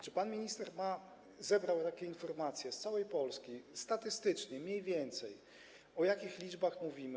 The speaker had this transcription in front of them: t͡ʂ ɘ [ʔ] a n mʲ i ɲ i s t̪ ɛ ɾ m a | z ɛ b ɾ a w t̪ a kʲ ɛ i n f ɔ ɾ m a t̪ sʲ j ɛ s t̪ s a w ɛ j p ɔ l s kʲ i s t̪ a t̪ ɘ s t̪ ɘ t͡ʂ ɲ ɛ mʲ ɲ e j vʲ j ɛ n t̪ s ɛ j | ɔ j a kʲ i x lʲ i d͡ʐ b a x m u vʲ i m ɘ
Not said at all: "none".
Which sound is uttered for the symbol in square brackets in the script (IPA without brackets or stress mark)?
p